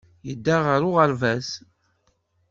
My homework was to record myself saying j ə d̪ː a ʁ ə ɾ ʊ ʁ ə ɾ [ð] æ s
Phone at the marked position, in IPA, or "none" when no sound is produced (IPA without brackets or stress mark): v